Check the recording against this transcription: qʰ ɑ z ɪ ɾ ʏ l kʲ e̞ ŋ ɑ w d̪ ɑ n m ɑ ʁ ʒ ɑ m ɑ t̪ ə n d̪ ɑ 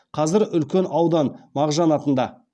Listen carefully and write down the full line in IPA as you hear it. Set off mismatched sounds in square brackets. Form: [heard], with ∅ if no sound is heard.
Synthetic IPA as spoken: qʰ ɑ z ɪ ɾ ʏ l kʲ e̞ [n] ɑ w d̪ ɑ n m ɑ ʁ ʒ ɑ [n] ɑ t̪ ə n d̪ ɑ